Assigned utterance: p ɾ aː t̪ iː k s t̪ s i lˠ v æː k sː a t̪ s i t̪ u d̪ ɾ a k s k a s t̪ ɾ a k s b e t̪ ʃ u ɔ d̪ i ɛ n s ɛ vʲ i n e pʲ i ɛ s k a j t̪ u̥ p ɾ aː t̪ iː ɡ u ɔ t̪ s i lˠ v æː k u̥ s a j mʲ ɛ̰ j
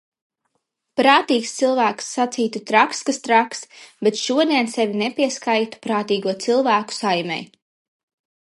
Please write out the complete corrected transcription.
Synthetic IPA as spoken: p ɾ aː t̪ iː k s t̪ s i lˠ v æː k sː a t̪ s iː t̪ u t̪ ɾ a k s k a s t̪ ɾ a k s b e t̪ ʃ u ɔ d̪ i ɛ n s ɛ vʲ i n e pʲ i ɛ s k a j t̪ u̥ p ɾ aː t̪ iː ɡ u ɔ t̪ s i lˠ v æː k u̥ s a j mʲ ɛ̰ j